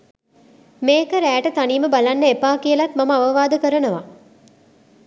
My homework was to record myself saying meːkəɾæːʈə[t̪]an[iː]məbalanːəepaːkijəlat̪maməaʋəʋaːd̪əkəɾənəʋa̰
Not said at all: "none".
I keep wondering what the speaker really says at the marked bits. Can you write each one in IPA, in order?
t̪, iː

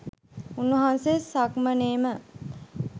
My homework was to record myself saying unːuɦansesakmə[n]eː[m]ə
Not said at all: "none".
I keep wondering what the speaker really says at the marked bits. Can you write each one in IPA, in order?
n, m

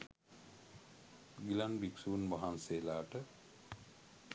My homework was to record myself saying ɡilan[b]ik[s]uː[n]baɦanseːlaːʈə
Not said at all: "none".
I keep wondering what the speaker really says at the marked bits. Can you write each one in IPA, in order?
b, s, n

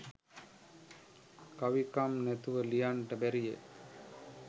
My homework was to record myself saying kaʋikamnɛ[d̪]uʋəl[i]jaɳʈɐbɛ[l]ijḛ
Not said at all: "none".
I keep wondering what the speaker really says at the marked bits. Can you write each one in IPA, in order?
t̪, i, ɾ

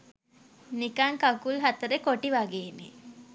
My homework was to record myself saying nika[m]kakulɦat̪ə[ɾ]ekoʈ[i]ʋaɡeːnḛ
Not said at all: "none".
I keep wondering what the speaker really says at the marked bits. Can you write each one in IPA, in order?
ŋ, ɾ, i

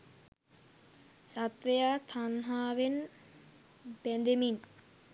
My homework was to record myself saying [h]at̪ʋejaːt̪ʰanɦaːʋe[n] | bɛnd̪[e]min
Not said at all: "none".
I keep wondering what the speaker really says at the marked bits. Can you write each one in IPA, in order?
s, n, e

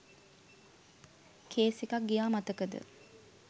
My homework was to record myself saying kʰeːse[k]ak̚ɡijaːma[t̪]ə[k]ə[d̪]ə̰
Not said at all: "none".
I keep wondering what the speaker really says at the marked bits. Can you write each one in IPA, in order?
k, t̪, k, d̪

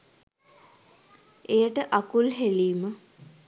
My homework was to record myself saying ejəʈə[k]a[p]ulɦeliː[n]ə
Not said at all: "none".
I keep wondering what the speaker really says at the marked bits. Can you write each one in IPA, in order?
ʔ, k, m

